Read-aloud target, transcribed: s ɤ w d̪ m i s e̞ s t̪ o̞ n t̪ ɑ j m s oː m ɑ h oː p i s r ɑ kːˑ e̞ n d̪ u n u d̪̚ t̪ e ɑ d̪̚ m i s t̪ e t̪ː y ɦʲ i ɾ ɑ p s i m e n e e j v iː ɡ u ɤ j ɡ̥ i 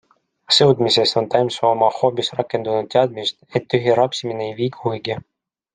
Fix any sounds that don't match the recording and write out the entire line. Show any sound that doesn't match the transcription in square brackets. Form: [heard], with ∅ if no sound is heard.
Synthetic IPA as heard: s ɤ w d̪ m i s e̞ s t̪ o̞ n t̪ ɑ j m s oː m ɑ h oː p i s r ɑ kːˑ e̞ n d̪ u n u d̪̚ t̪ e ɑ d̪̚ m i s t̪ e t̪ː y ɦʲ i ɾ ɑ p s i m [i] n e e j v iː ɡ u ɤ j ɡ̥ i

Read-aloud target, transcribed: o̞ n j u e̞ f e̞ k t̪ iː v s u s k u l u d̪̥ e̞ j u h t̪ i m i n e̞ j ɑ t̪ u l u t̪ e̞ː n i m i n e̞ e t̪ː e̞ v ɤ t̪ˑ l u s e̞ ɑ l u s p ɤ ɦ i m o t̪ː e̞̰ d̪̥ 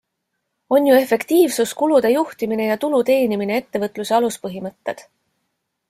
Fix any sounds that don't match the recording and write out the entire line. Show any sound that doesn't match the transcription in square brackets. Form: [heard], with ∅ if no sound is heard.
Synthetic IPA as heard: o̞ n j u e̞ f e̞ k t̪ iː v s u s k u l u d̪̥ e̞ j u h t̪ i m i n e̞ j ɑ t̪ u l u t̪ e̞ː n i m i n e̞ e t̪ː e̞ v ɤ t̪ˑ l u s e̞ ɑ l u s p ɤ ɦ i m [ɤ] t̪ː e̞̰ d̪̥

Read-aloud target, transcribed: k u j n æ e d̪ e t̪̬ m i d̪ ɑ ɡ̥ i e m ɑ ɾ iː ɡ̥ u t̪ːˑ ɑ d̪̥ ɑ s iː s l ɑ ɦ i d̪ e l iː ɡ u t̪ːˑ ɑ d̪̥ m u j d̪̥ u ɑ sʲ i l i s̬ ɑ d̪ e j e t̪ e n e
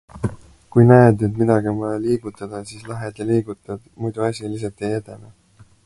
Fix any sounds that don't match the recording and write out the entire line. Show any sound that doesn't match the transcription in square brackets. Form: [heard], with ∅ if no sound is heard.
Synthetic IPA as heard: k u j n æ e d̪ e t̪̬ m i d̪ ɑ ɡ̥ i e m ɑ [l] iː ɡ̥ u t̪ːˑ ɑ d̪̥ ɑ s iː s l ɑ ɦ [e] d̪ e l iː ɡ u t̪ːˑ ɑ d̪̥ m u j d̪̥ u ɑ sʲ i l i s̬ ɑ [t̪] e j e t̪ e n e

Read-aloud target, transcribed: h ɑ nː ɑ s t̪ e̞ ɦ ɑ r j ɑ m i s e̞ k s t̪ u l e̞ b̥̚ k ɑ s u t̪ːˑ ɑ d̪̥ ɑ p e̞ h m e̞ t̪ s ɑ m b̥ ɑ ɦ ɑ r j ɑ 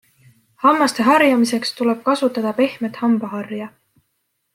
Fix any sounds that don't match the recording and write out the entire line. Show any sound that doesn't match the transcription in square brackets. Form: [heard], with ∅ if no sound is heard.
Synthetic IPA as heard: h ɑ [mː] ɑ s t̪ e̞ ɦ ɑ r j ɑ m i s e̞ k s t̪ u l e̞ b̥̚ k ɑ s u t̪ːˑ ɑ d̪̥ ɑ p e̞ h m e̞ t̪ [h] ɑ m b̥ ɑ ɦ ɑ r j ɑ

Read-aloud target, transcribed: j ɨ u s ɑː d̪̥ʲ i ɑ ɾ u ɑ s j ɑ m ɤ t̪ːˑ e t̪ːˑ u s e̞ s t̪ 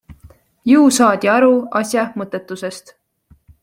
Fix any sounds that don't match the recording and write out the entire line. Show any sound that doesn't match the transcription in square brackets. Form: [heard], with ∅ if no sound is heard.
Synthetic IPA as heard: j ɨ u s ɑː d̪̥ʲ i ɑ ɾ u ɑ s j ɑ m ɤ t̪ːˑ e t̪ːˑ u s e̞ s t̪

